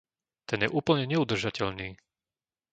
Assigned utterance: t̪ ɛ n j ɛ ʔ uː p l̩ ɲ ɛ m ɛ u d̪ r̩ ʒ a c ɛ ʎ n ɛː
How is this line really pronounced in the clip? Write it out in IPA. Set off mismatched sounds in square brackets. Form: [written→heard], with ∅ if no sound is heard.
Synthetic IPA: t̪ ɛ n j ɛ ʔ uː p l̩ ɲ ɛ [m→ɲ] ɛ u d̪ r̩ ʒ a c ɛ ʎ n [ɛː→iː]